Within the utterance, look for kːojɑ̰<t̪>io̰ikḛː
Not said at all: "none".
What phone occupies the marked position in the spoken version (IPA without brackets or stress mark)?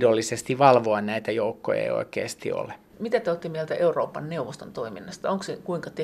none